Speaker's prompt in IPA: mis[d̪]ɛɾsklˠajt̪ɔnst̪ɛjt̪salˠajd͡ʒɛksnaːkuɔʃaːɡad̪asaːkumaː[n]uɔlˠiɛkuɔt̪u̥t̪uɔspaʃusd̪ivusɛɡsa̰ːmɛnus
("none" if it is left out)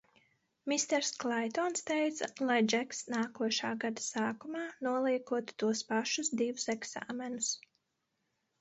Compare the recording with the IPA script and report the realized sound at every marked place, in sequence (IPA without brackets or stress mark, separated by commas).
t̪, n